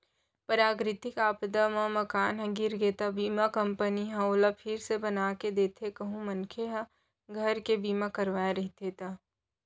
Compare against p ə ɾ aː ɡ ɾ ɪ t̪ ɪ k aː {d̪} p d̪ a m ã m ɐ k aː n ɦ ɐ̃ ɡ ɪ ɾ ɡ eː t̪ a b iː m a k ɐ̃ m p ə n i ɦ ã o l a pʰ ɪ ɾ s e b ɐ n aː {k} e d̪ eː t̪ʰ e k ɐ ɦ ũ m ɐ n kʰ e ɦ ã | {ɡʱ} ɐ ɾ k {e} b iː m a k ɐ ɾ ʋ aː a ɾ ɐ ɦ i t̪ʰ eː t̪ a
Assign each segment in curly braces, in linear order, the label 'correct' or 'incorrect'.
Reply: incorrect: none, correct, correct, correct

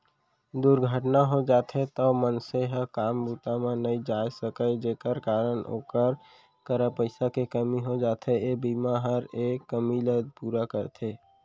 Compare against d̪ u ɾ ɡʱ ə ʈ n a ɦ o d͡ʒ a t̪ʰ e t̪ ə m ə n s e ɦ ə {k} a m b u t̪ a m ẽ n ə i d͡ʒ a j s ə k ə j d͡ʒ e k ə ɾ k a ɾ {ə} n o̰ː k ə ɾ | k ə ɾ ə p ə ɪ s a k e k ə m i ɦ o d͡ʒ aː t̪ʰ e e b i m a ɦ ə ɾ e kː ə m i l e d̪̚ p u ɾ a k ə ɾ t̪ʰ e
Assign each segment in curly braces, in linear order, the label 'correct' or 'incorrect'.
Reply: correct, correct

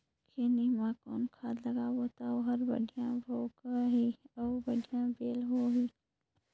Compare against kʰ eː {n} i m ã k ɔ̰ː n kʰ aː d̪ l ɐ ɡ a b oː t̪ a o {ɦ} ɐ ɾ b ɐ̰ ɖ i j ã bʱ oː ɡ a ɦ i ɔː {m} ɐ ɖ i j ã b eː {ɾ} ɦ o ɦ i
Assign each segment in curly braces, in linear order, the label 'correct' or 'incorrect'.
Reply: correct, correct, incorrect: b, incorrect: l

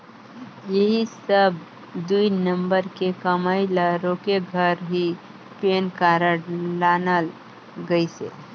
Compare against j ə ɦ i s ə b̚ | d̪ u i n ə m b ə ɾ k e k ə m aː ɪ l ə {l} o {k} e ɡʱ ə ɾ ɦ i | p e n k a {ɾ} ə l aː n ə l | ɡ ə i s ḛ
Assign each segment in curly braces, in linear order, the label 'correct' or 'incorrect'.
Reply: incorrect: ɾ, correct, correct

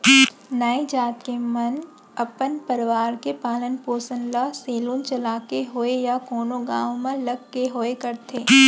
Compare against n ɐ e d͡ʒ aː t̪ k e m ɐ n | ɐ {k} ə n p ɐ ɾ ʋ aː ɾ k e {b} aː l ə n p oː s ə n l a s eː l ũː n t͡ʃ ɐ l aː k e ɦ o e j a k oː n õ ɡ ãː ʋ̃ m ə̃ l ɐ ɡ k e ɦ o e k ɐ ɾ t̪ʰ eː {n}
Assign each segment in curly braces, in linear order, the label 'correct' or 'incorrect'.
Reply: incorrect: p, incorrect: p, incorrect: none

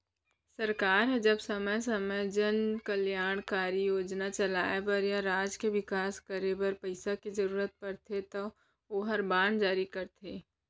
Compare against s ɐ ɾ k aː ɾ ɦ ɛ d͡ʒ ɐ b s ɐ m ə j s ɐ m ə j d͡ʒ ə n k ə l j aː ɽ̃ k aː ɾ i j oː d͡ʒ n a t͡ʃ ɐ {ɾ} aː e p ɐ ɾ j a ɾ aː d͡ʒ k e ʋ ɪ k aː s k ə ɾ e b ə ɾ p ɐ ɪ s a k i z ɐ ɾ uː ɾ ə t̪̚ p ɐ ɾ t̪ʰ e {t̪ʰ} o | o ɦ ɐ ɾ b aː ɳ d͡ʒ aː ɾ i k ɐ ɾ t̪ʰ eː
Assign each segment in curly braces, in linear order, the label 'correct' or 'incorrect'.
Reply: incorrect: l, incorrect: t̪

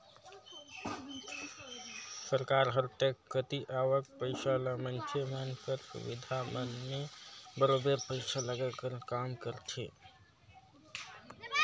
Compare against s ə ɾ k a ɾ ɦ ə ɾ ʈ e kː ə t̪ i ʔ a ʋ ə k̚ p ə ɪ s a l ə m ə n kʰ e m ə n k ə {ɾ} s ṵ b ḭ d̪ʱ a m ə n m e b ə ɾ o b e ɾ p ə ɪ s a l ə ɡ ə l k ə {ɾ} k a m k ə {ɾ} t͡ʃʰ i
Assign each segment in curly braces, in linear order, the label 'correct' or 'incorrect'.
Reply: correct, correct, correct

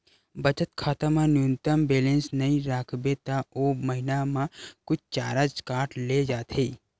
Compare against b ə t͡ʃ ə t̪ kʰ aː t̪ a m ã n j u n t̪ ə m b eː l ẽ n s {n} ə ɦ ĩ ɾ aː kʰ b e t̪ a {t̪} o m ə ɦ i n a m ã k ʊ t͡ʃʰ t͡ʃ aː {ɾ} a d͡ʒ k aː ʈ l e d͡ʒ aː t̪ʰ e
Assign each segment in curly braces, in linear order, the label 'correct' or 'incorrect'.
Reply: correct, incorrect: none, correct

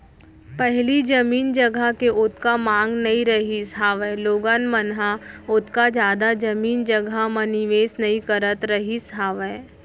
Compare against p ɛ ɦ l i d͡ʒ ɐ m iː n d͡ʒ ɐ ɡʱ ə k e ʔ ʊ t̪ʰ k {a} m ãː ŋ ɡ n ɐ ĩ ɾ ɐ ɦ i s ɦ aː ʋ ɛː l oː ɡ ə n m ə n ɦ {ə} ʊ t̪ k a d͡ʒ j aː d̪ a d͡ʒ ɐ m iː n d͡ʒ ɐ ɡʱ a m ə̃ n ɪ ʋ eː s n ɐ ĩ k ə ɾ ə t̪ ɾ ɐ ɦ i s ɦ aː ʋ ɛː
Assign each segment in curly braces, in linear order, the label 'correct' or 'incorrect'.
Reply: correct, incorrect: a

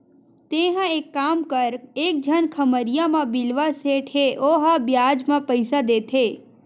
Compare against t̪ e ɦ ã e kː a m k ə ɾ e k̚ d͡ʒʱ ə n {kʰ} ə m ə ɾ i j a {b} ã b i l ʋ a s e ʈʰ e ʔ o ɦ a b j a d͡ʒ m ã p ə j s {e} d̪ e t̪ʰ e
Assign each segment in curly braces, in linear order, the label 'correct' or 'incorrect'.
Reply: correct, incorrect: m, incorrect: a

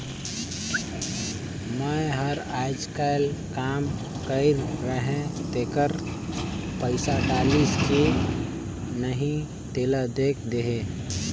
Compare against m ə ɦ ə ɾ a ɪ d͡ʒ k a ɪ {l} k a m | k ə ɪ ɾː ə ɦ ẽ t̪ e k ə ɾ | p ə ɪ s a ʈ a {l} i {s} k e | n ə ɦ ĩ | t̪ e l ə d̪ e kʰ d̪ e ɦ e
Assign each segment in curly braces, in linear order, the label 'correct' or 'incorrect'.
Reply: correct, correct, correct

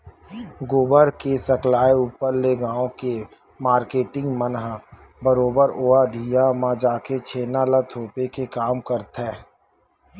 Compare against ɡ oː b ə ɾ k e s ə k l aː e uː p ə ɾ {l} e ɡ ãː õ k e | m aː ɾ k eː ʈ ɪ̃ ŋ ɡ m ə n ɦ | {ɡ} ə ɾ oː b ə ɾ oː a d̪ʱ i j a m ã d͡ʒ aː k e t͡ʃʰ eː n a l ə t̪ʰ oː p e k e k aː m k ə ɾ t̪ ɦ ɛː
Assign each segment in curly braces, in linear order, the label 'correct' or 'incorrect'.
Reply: correct, incorrect: b

